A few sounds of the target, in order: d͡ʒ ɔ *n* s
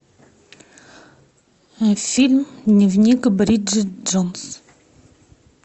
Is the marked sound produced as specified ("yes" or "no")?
yes